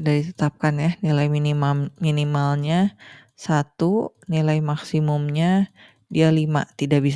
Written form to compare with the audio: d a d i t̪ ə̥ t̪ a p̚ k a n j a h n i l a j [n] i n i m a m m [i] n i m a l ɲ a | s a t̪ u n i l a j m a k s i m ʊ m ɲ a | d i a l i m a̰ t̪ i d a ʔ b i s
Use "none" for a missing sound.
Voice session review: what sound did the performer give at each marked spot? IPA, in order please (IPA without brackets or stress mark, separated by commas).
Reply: m, i